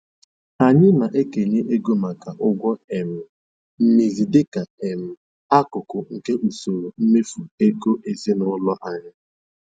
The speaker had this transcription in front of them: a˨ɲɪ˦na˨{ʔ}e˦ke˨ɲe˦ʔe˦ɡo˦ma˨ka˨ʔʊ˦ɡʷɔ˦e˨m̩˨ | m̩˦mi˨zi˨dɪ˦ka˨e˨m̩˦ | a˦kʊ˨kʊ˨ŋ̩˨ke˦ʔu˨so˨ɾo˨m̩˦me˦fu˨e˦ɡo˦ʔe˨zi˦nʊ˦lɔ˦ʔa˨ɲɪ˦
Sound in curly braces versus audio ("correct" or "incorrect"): correct